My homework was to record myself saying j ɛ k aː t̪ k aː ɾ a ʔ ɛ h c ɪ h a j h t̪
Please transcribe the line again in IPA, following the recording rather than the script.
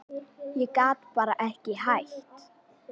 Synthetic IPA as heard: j ɛ k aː t̪ p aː ɾ a ʔ ɛ h c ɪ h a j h t̪